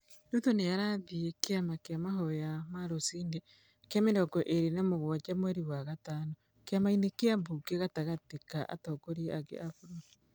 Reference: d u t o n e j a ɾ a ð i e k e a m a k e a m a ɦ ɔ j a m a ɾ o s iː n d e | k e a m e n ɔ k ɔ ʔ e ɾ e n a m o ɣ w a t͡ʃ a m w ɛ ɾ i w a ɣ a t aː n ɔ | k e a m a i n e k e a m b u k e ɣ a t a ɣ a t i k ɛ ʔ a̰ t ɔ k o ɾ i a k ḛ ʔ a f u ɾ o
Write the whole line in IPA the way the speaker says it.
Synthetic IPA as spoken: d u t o n e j a ɾ a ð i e k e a m a k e a m a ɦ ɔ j a m a ɾ o s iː n d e | k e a m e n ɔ k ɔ ʔ e ɾ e n a m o ɣ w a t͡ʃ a m w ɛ ɾ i w a ɣ a t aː n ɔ | k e a m a i n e k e a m b u k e ɣ a t a ɣ a t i k a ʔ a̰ t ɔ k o ɾ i a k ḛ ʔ a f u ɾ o